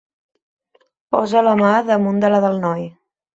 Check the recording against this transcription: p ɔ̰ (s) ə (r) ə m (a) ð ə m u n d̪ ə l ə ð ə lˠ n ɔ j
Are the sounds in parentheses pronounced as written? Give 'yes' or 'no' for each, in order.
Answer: no, no, yes

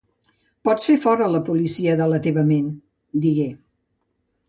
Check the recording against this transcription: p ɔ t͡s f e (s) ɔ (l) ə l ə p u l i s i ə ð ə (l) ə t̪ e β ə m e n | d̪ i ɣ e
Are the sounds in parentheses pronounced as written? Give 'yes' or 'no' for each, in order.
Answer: no, no, yes

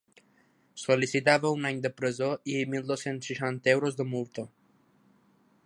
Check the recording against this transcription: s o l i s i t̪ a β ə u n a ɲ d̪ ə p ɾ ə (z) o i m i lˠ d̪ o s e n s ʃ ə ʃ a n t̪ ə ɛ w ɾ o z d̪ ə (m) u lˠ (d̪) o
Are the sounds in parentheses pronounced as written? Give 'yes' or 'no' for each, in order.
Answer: yes, yes, no

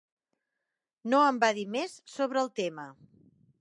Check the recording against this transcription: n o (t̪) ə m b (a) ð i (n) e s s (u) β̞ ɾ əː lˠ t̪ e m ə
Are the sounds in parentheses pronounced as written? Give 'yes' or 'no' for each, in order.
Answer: no, yes, no, no

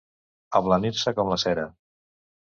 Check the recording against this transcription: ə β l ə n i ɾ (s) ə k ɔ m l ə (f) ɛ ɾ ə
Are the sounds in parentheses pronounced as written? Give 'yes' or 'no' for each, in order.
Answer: yes, no

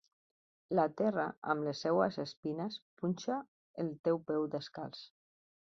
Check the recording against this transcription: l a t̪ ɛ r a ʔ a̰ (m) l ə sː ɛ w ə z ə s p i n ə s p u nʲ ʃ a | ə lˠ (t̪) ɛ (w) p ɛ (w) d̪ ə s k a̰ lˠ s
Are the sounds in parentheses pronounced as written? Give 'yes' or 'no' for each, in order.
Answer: yes, yes, yes, yes

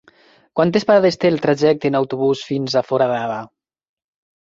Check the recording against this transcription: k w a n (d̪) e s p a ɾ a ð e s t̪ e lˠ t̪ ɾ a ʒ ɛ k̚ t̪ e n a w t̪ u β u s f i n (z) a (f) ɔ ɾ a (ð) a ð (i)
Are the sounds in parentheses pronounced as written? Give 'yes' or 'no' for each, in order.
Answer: no, yes, yes, yes, no

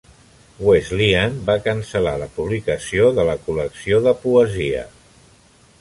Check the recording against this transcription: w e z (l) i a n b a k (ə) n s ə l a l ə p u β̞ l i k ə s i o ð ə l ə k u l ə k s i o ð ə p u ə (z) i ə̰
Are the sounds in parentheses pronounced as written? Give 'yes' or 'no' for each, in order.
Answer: yes, yes, yes

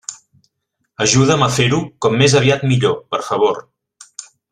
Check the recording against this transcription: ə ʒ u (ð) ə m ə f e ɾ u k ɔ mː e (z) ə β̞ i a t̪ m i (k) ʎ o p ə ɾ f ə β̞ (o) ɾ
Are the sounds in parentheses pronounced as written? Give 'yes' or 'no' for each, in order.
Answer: yes, yes, no, yes

